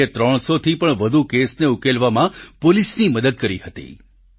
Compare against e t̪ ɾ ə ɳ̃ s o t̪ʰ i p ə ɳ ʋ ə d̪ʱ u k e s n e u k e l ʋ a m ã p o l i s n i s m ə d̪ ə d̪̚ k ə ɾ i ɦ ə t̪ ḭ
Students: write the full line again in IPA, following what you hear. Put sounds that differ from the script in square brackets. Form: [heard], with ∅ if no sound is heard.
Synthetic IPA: e t̪ ɾ ə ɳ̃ s o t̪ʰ i p ə ɳ ʋ ə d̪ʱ u k e s n e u k e l ʋ a m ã p o l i s n i [∅] m ə d̪ ə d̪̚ k ə ɾ i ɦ ə t̪ ḭ